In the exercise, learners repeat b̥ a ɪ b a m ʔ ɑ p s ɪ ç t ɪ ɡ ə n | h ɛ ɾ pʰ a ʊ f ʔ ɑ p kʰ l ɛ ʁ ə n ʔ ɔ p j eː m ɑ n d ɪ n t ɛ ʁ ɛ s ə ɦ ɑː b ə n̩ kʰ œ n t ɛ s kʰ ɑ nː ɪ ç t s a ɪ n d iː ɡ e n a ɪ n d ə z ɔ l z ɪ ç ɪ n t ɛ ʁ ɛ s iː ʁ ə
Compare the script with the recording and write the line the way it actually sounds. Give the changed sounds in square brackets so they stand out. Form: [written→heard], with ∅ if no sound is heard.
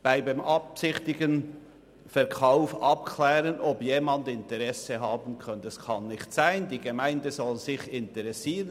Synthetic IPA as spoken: b̥ a ɪ b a m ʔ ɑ p s ɪ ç t ɪ ɡ ə n | [h→f] ɛ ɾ [pʰ→kʰ] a ʊ f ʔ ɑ p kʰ l [ɛ→ɛː] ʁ ə n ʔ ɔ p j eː m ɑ n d ɪ n t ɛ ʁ ɛ s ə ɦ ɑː b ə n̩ kʰ œ n t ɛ s kʰ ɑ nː ɪ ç t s a ɪ n d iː ɡ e [n→m] a ɪ n d ə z ɔ l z ɪ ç ɪ n t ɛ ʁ ɛ s iː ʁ ə

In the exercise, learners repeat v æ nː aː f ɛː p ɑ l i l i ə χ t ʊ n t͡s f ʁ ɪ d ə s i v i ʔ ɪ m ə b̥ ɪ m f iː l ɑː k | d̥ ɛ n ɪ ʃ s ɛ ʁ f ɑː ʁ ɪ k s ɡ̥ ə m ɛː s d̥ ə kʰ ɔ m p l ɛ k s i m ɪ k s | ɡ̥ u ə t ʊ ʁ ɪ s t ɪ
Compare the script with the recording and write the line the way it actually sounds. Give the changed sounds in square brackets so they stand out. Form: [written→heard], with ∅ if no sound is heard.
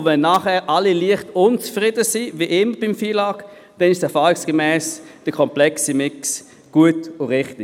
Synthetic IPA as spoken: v [æ→ɛ] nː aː [f→χ] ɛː [p→ʔ] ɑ l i l i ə χ t ʊ n t͡s f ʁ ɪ d ə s i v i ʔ ɪ m ə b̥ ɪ m f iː l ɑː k | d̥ ɛ n ɪ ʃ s ɛ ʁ f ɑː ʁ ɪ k s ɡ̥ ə m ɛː s d̥ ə kʰ ɔ m p l ɛ k s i m ɪ k s | ɡ̥ u ə t ʊ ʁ ɪ [s→χ] t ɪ

